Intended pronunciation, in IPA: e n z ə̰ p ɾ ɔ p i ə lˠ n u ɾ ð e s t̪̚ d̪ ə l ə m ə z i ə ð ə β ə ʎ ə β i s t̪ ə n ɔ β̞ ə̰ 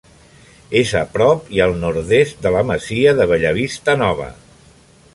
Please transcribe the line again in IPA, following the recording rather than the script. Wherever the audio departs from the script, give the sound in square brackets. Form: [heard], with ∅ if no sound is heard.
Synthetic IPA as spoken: e [∅] z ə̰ p ɾ ɔ p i ə lˠ n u ɾ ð e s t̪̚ d̪ ə l ə m ə z i ə ð ə β ə ʎ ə β i s t̪ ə n ɔ β̞ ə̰